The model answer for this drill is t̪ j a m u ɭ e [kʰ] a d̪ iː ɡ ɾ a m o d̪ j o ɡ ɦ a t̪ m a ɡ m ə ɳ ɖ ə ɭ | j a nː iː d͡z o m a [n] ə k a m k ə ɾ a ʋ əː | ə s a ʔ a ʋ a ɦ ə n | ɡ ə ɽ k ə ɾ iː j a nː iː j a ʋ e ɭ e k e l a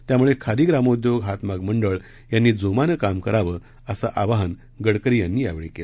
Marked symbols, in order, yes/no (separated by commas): yes, yes